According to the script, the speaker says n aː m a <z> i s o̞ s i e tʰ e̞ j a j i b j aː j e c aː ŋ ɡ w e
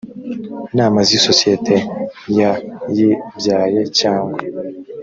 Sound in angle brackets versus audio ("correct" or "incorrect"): correct